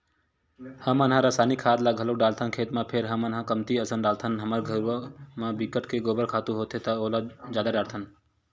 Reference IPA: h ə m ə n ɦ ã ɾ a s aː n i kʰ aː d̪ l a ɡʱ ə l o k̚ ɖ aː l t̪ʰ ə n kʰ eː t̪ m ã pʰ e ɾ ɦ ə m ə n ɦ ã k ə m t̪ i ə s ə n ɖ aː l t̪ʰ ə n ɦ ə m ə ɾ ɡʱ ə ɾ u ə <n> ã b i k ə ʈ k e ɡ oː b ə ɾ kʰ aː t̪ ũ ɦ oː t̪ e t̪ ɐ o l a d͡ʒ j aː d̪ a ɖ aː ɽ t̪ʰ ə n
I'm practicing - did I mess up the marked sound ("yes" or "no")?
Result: yes